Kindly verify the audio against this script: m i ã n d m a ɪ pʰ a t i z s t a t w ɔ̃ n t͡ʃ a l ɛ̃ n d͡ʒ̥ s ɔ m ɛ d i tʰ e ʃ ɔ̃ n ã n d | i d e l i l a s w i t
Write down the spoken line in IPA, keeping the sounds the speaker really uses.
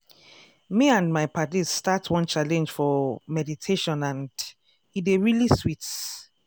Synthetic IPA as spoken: m i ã n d m a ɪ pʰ a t i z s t a t w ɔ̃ n t͡ʃ a l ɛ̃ n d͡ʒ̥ f ɔ m ɛ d i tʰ e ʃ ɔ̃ n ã n d | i d e ɹ i l i s w i t